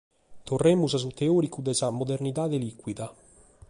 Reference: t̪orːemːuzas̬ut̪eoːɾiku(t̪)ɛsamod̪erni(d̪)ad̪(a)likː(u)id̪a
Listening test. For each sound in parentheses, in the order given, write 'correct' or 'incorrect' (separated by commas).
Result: incorrect, incorrect, incorrect, incorrect